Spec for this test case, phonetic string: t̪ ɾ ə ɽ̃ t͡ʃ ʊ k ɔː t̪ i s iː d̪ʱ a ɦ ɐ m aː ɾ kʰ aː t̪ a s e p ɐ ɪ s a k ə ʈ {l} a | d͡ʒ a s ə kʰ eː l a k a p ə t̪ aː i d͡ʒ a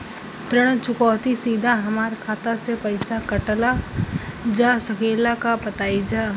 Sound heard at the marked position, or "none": l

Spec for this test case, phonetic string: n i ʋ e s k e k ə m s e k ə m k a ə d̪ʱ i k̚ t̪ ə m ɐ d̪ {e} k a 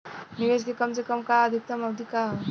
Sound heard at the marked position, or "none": i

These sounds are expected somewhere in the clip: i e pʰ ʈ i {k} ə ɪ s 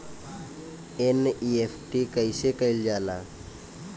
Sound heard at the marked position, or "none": k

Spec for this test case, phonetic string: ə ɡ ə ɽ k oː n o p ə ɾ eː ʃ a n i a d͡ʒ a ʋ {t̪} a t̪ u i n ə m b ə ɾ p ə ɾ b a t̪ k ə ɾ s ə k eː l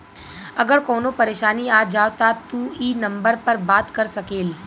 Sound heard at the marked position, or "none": t̪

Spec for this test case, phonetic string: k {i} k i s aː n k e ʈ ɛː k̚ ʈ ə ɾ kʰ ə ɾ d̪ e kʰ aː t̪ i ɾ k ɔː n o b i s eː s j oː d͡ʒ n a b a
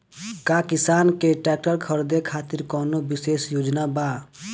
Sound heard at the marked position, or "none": a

